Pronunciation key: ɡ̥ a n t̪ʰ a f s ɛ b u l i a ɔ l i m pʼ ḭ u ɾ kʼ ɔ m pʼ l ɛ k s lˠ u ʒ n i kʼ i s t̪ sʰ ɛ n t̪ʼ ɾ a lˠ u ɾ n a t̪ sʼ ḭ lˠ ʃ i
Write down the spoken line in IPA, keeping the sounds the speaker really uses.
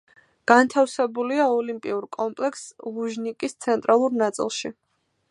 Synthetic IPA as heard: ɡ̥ a n t̪ʰ a f s ɛ b u l i a ɔ l i m pʼ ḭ u ɾ kʼ ɔ m pʼ l ɛ k s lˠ u ʒ n i kʼ i s t̪ sʰ ɛ n t̪ʼ ɾ a lˠ u ɾ n a t̪ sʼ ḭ lˠ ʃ i